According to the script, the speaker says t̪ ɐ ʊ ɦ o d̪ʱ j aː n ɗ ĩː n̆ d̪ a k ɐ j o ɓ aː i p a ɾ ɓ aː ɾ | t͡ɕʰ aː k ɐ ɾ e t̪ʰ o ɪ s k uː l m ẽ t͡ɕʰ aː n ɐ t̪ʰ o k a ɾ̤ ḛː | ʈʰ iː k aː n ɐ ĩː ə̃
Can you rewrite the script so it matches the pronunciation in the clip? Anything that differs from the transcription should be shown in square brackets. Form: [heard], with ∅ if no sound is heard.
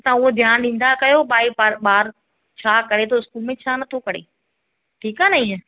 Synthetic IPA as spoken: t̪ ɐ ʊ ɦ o d̪ʱ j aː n ɗ ĩː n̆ d̪ a k ɐ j o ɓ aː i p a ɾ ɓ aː ɾ | t͡ɕʰ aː k ɐ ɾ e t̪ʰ o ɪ s k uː l m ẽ t͡ɕʰ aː n ɐ t̪ʰ o k [ɐ] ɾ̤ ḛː | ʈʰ iː k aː n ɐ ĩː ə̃